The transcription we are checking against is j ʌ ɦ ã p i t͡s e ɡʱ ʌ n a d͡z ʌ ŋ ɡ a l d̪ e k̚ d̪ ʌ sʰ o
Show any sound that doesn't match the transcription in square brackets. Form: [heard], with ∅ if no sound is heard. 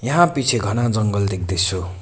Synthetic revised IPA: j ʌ ɦ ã p i [t͡sʰ] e ɡʱ ʌ n a d͡z ʌ ŋ ɡ [ʌ] l d̪ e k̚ d̪ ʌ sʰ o